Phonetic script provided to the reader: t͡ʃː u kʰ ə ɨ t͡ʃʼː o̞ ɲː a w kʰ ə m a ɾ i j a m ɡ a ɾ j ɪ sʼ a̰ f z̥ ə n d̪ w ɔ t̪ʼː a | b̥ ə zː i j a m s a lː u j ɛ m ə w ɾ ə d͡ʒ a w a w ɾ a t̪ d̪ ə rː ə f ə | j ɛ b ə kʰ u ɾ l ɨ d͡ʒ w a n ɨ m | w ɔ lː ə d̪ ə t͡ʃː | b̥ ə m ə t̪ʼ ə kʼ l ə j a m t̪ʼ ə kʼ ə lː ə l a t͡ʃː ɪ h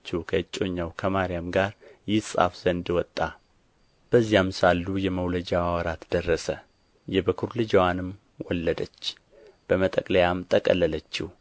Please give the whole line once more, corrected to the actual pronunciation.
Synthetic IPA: t͡ʃː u kʰ ə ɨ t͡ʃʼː o̞ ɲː a w kʰ ə m a ɾ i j a m ɡ a ɾ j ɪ sʼ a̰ f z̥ ə n d̪ w ɔ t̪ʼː a | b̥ ə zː i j a m s a lː u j ɛ m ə w l ə d͡ʒ a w a w ɾ a t̪ d̪ ə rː ə s ə | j ɛ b ə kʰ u ɾ l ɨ d͡ʒ w a n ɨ m | w ɔ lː ə d̪ ə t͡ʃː | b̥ ə m ə t̪ʼ ə kʼ l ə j a m t̪ʼ ə kʼ ə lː ə l ə t͡ʃː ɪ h